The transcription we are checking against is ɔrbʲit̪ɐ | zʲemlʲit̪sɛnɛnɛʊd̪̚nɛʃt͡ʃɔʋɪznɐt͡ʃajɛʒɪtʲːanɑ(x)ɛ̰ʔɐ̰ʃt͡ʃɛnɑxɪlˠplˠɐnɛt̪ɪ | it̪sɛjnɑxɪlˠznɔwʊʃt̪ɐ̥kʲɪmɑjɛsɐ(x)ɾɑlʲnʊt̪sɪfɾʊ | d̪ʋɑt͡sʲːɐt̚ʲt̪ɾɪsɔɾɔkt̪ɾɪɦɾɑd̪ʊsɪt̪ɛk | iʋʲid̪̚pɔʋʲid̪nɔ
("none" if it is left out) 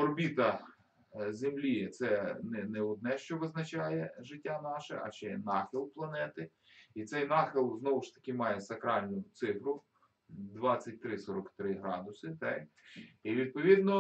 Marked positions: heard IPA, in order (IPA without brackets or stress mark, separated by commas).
ʃ, k